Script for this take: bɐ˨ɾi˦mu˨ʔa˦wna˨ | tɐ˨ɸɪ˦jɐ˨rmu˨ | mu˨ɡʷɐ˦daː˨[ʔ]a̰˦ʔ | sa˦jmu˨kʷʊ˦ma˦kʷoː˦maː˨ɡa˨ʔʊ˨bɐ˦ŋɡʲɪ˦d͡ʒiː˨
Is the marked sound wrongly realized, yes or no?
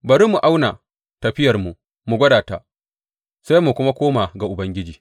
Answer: yes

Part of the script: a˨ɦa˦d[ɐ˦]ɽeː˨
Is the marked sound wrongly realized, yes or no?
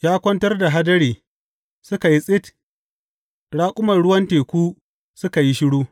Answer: no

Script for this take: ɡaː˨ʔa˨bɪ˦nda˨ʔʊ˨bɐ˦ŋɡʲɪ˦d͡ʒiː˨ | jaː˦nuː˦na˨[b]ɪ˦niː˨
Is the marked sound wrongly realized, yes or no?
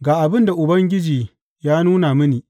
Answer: yes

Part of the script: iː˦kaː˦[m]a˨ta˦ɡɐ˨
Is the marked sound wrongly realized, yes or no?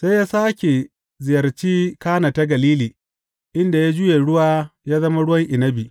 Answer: yes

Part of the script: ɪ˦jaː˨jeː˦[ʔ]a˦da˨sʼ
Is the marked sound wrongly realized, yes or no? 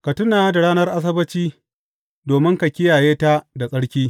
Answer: yes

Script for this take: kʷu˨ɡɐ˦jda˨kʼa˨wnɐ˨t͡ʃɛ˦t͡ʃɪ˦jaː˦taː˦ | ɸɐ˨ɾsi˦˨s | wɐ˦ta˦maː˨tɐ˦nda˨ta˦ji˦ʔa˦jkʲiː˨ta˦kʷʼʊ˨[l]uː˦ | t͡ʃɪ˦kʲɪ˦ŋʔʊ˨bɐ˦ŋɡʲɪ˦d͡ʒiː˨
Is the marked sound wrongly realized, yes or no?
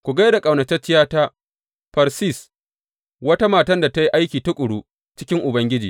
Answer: yes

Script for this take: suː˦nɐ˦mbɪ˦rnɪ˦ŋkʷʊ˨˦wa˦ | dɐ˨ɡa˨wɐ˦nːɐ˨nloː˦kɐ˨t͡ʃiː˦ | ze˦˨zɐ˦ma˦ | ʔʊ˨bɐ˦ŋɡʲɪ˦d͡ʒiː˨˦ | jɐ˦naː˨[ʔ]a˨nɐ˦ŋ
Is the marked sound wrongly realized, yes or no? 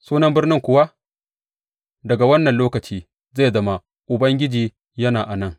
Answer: no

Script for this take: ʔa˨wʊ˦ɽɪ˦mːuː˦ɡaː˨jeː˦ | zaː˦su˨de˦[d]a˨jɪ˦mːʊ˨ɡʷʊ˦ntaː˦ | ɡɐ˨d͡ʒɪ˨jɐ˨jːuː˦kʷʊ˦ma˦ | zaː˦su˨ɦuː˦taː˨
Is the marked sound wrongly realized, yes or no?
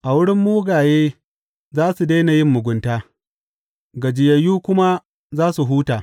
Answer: yes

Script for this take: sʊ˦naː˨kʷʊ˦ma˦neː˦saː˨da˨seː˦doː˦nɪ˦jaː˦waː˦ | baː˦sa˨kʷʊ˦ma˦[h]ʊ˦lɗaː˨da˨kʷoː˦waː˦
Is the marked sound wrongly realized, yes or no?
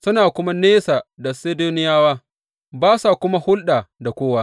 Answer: no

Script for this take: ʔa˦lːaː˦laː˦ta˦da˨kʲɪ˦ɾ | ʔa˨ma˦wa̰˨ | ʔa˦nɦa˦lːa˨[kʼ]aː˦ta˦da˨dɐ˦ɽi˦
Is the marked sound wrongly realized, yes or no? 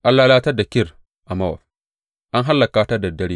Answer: yes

